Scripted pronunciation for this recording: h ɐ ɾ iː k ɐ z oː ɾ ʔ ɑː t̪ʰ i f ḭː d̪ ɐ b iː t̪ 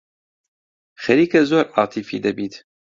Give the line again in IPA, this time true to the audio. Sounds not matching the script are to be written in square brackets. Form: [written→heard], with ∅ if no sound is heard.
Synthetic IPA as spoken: [h→x] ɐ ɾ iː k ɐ z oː ɾ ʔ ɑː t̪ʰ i f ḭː d̪ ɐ b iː t̪